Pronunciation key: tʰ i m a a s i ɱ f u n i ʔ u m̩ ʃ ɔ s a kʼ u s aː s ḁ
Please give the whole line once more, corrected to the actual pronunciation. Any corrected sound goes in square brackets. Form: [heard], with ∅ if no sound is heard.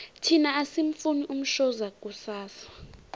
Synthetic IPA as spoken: tʰ i [n] a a s i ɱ f u n i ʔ u m̩ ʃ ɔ [z] a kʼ u s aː s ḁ